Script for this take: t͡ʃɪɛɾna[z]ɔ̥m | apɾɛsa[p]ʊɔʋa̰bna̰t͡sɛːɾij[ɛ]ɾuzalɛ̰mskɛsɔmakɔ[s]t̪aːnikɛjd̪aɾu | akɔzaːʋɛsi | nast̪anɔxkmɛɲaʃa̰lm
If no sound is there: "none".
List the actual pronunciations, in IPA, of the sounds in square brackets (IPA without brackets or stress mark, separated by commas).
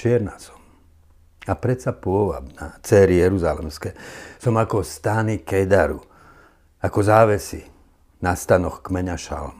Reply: s, p, ɛ, s